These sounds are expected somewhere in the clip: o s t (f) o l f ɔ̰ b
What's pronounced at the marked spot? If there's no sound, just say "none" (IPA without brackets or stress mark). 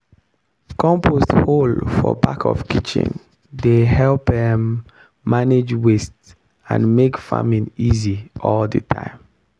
h